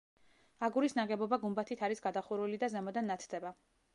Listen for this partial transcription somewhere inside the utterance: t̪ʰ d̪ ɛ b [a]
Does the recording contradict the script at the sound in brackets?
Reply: no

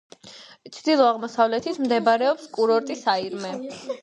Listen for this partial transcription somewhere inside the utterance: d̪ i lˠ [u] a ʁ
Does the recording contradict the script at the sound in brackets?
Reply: yes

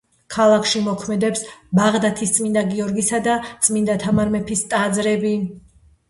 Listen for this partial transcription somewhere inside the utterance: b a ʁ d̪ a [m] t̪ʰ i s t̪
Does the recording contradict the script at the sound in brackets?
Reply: yes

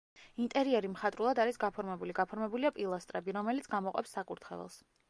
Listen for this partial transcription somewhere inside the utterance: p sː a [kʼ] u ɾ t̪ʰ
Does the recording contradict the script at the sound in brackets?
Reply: no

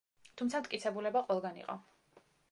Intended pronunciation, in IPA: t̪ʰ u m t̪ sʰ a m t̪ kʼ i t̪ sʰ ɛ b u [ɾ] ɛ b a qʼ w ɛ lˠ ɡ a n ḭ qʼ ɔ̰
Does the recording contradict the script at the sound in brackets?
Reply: yes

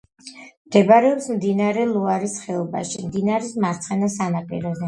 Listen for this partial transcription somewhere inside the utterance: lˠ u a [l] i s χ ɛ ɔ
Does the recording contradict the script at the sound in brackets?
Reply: yes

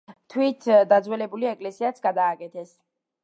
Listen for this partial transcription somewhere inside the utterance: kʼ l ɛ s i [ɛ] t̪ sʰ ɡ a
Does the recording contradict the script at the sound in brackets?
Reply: yes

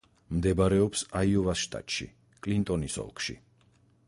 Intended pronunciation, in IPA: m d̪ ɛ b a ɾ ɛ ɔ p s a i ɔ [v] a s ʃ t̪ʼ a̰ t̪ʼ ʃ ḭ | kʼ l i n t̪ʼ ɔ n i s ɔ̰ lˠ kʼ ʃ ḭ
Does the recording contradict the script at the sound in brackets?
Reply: no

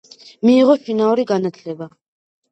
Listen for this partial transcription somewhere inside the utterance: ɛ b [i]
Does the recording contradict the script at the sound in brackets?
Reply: yes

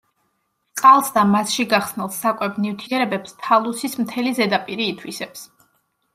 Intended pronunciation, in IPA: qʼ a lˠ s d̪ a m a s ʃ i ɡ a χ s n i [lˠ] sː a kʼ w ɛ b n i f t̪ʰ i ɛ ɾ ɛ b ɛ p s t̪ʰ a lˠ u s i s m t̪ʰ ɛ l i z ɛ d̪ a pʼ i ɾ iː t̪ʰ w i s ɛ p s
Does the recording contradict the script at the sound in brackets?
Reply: no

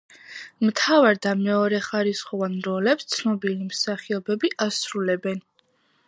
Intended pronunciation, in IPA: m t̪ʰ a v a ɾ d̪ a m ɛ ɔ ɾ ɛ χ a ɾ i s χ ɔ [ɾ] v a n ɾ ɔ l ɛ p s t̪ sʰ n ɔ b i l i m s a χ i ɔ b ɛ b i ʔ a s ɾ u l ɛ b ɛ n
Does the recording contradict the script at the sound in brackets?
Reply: yes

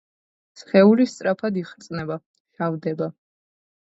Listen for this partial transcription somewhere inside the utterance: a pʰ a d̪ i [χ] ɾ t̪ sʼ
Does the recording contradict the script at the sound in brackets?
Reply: no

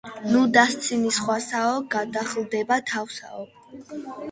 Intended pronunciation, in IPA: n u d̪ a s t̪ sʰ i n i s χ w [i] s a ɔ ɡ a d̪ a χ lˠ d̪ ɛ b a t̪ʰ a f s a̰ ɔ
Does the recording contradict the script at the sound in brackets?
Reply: yes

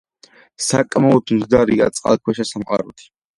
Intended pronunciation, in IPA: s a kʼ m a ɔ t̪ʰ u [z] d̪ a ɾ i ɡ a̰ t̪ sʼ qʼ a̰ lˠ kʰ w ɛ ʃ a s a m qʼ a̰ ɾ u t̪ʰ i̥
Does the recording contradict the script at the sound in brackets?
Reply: no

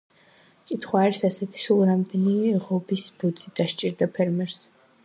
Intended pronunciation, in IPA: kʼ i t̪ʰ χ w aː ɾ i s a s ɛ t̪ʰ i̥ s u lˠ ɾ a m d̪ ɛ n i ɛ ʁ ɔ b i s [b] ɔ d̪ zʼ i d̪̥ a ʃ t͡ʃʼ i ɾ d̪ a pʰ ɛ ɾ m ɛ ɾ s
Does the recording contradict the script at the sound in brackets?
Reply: no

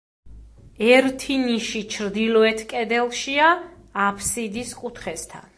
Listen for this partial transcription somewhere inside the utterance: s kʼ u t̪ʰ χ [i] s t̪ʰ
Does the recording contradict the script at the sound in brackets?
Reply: yes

